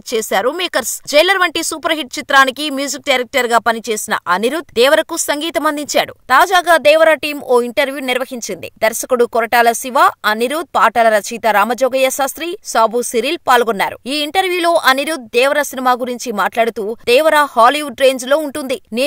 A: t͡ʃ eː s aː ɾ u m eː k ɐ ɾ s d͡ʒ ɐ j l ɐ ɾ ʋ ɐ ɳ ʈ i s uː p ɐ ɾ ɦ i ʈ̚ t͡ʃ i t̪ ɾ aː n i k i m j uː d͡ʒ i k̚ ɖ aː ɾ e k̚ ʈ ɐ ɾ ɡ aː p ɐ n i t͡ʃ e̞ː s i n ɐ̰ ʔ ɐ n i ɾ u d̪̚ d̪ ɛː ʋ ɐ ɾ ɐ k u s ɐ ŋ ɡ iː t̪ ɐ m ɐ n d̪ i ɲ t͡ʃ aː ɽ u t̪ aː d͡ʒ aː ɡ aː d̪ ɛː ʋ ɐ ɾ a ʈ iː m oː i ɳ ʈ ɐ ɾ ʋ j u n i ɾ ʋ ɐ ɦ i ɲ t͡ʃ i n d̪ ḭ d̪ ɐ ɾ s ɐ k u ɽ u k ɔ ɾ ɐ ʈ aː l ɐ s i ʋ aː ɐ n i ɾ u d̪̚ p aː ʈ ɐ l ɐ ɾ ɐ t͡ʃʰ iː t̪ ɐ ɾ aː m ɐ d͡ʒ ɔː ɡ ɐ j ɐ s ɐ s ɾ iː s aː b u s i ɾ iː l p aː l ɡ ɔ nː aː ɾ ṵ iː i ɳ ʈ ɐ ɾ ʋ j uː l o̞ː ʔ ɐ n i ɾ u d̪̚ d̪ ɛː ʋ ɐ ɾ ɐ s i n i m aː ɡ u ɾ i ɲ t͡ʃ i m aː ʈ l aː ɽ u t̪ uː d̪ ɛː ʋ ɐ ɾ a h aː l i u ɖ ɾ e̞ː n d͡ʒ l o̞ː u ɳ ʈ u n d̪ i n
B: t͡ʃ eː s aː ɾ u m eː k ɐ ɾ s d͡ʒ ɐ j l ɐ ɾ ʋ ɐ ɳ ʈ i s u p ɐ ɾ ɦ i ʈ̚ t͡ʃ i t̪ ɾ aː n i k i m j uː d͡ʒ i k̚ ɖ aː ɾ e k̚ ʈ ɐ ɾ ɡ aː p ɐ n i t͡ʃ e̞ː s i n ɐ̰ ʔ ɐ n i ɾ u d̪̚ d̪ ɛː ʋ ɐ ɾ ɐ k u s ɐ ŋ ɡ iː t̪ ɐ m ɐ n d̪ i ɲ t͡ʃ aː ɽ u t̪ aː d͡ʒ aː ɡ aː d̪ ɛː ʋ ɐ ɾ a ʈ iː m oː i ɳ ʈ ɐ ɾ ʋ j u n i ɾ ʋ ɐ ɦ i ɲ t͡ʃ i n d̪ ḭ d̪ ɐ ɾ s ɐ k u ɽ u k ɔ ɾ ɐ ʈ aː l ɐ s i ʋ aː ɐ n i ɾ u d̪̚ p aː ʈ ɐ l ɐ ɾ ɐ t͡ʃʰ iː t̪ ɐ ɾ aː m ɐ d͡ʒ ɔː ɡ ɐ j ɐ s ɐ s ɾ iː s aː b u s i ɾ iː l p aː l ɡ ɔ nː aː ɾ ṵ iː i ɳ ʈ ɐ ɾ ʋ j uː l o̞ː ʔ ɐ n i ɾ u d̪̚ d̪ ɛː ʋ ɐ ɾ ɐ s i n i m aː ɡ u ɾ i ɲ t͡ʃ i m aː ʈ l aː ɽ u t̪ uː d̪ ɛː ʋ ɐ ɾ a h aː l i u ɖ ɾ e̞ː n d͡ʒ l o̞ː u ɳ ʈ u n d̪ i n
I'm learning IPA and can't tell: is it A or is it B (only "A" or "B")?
A